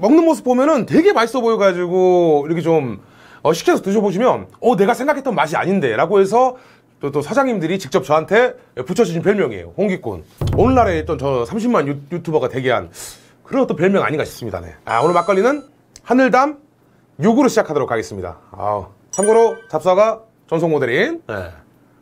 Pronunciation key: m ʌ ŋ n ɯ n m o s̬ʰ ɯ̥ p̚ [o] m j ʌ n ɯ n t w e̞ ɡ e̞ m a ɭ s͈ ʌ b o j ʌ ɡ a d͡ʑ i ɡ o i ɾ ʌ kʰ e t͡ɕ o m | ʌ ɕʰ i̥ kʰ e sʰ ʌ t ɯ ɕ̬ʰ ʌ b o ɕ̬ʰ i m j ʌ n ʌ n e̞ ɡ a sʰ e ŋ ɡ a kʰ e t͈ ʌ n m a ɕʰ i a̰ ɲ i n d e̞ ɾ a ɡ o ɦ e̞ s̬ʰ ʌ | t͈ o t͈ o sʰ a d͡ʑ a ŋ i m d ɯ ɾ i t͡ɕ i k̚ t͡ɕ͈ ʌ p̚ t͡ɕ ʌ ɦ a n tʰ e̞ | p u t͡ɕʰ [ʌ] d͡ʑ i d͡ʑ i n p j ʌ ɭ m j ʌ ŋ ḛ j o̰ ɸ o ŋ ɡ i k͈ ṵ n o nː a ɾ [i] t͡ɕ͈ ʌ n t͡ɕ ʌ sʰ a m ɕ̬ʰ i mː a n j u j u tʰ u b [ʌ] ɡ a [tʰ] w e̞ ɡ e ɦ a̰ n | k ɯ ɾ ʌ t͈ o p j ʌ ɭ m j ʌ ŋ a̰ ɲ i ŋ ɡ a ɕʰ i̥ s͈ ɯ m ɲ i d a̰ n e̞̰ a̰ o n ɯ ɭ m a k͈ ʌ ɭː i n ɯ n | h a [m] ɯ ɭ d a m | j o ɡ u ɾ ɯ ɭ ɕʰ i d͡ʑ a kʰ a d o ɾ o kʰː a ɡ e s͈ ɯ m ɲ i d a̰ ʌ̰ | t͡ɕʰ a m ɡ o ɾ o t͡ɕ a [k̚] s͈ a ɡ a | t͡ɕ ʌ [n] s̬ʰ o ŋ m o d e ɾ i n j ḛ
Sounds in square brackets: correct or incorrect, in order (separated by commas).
correct, correct, incorrect, correct, incorrect, incorrect, incorrect, correct